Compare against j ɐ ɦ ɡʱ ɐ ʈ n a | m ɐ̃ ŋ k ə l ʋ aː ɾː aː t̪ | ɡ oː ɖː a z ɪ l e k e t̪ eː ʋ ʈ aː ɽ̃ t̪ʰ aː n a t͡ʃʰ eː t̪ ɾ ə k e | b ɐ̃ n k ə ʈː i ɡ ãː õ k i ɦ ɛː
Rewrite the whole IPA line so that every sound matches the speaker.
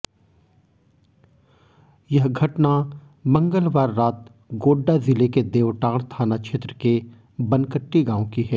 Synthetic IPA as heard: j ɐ ɦ ɡʱ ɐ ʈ n a | m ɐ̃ ŋ ɡ ə l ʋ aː ɾː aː t̪ | ɡ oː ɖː a z ɪ l e k e d̪ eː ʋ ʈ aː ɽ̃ t̪ʰ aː n a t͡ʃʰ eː t̪ ɾ ə k e | b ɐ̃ n k ə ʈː i ɡ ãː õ k i ɦ ɛː